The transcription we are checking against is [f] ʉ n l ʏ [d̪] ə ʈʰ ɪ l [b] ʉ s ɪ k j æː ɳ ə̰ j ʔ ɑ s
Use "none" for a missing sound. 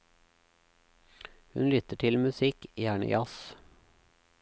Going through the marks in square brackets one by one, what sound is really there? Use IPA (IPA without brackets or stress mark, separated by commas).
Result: h, t̪, m